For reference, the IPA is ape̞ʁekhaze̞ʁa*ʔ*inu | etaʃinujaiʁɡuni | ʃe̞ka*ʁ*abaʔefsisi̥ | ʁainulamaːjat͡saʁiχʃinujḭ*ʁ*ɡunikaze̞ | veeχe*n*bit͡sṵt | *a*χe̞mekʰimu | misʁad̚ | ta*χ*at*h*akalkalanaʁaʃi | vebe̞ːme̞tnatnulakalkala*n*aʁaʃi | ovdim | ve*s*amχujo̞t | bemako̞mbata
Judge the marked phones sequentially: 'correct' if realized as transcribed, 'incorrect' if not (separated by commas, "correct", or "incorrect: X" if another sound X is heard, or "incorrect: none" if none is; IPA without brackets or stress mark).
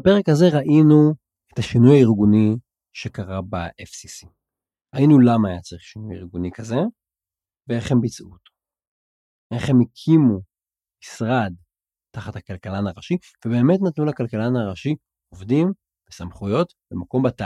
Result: correct, correct, correct, incorrect: m, incorrect: e, correct, correct, correct, correct